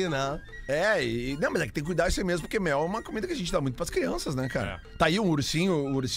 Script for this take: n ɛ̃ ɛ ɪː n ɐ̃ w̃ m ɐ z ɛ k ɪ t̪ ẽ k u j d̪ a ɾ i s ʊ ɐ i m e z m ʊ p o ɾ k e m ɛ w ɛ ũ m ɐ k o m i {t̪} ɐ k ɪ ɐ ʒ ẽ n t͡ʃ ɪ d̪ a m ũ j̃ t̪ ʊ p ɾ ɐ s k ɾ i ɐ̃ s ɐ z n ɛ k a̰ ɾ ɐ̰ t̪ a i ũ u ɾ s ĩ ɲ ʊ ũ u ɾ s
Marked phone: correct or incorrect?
incorrect